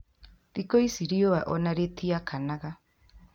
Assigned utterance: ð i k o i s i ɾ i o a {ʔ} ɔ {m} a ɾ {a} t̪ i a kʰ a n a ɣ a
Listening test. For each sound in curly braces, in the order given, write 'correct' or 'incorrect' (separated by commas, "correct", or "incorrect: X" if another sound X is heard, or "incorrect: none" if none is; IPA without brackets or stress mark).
correct, incorrect: n, incorrect: e